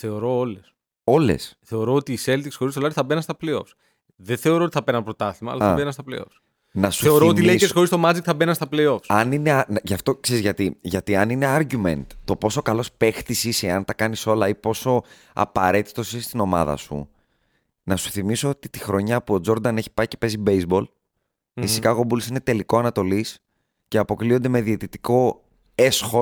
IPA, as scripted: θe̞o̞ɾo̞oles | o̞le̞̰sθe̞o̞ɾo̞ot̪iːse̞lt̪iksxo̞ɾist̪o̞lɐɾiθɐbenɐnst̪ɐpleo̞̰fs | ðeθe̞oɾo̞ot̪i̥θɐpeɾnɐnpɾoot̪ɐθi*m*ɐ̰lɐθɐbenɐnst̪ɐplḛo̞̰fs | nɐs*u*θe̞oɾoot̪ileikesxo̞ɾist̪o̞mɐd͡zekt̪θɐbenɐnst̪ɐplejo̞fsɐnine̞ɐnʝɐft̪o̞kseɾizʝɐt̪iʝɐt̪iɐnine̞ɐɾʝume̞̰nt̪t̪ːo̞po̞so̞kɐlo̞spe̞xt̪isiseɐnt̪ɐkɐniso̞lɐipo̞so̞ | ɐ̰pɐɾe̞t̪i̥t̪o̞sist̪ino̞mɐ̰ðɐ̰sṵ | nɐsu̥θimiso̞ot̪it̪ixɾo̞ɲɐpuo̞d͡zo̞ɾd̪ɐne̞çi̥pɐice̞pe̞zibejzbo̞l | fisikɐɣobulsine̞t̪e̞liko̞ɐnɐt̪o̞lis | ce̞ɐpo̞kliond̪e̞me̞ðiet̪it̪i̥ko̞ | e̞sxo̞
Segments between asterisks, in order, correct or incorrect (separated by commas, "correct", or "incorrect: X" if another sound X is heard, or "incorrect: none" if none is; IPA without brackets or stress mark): correct, correct